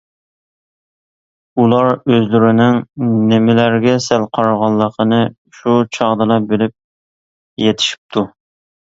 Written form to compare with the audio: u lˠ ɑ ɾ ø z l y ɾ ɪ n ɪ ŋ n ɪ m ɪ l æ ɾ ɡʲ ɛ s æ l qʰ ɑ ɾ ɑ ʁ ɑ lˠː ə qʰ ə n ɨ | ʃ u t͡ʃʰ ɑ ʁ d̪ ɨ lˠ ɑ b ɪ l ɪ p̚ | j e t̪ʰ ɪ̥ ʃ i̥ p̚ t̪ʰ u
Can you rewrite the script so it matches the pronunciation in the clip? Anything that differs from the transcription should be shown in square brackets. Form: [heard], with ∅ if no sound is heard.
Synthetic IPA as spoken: u lˠ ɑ ɾ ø z l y ɾ ɪ n ɪ ŋ n ɪ m ɪ l æ ɾ ɡʲ ɛ s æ l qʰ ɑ ɾ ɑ ʁ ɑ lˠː ə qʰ ə n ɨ | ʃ u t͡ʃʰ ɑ ʁ d̪ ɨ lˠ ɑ b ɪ l ɪ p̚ | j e t̪ʰ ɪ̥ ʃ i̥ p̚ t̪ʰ u